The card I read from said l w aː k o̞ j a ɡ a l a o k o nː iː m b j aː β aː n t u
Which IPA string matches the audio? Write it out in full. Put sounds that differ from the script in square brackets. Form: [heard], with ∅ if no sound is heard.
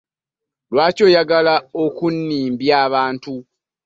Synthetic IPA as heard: l w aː [c] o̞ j a ɡ a l a o k [u] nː iː m b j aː β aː n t u